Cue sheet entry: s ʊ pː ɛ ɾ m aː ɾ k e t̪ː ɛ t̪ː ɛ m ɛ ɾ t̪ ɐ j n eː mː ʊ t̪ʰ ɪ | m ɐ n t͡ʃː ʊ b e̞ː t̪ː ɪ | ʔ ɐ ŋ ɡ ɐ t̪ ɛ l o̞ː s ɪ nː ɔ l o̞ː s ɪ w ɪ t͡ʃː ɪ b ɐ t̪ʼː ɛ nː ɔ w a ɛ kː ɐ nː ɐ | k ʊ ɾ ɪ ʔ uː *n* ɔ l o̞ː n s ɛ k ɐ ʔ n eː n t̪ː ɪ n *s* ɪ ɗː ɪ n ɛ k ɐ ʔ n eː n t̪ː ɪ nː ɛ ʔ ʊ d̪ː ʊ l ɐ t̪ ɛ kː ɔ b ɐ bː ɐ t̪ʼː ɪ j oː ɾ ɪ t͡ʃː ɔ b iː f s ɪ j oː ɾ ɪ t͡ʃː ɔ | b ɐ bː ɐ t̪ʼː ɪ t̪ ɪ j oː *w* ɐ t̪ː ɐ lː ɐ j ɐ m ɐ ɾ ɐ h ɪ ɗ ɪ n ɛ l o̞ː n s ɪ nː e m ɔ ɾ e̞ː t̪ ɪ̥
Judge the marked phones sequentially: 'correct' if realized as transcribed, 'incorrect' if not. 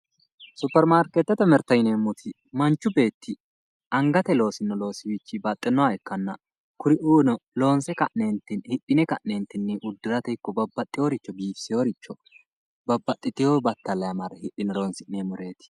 correct, incorrect, incorrect

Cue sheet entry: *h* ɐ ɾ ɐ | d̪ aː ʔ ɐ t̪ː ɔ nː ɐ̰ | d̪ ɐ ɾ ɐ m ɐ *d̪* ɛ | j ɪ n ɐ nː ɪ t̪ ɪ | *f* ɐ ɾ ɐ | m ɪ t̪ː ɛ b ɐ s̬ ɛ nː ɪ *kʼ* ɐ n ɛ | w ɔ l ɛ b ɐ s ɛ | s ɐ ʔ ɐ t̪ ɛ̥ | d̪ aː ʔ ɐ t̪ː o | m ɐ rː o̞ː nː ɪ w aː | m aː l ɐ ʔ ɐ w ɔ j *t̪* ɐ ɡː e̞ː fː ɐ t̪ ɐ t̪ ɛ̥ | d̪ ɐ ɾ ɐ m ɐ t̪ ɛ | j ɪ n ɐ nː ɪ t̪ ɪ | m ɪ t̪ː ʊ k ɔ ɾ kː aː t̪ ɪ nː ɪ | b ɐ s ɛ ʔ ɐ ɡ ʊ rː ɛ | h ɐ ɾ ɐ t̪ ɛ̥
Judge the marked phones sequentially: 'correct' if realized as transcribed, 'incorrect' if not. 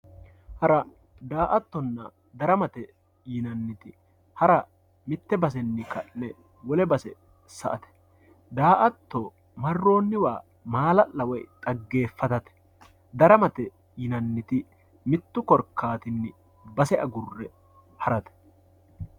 correct, incorrect, incorrect, incorrect, incorrect

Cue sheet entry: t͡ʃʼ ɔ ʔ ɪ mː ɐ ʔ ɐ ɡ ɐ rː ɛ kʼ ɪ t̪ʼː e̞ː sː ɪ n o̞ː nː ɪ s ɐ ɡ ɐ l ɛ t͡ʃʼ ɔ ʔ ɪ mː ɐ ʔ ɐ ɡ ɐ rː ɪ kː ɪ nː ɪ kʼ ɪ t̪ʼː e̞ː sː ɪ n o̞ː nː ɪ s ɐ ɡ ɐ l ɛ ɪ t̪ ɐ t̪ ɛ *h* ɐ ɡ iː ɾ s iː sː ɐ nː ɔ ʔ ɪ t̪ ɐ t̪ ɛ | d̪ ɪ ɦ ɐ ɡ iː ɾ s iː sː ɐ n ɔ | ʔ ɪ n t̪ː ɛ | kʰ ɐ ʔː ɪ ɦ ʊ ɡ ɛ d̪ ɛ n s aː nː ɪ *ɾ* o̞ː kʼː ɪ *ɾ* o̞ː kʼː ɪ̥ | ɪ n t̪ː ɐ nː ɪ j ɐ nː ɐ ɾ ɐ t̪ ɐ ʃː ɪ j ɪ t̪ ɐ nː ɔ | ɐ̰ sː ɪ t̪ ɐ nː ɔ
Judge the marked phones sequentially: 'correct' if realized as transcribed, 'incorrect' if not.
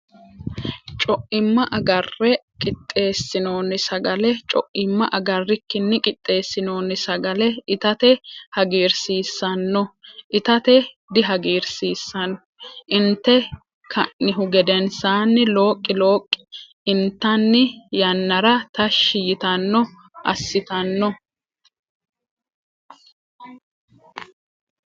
correct, incorrect, incorrect

